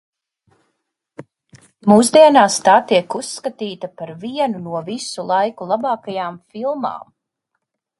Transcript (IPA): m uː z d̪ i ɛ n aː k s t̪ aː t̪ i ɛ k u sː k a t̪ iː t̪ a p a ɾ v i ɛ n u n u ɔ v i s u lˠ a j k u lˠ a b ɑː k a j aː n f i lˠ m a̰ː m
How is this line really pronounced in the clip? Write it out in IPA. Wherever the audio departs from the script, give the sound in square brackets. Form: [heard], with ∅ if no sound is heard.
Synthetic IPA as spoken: m uː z d̪ i ɛ n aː [∅] s t̪ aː t̪ i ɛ k u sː k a t̪ iː t̪ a p a ɾ v i ɛ n u n u ɔ v i s u lˠ a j k u lˠ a b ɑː k a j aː [m] f i lˠ m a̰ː m